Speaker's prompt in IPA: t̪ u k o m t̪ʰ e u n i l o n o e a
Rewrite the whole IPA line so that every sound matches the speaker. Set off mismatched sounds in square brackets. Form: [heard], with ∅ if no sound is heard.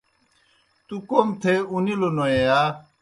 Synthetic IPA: t̪ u k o m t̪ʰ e u n i l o n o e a